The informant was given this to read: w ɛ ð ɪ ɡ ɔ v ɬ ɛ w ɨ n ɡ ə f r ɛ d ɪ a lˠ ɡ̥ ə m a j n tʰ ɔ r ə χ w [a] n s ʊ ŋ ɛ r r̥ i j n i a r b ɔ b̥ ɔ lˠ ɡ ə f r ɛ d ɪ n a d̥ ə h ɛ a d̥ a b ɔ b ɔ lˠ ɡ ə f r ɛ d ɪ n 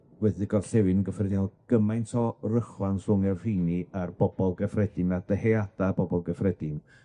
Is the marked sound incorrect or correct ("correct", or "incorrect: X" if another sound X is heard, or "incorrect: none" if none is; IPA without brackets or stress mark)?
correct